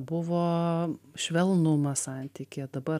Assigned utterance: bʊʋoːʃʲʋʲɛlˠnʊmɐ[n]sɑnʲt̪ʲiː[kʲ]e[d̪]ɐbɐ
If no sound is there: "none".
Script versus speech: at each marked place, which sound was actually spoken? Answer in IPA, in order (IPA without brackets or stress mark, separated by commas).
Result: none, kʲ, d̪